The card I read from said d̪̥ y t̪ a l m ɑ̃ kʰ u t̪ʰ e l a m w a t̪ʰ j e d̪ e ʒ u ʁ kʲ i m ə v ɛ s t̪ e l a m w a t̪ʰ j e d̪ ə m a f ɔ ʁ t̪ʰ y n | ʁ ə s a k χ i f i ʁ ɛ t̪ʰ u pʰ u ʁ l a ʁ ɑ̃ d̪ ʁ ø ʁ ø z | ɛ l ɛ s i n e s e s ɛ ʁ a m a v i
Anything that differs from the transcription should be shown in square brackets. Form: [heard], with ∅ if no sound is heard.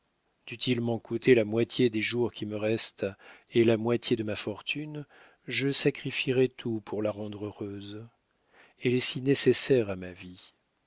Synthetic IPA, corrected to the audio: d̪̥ y t̪ [i] l m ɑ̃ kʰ u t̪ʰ e l a m w a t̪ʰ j e d̪ e ʒ u ʁ kʲ i m ə [ʁ] ɛ s t̪ e l a m w a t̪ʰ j e d̪ ə m a f ɔ ʁ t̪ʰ y n | [ʒ] ə s a k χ i f i ʁ ɛ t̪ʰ u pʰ u ʁ l a ʁ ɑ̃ d̪ ʁ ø ʁ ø z | ɛ l ɛ s i n e s e s ɛ ʁ a m a v i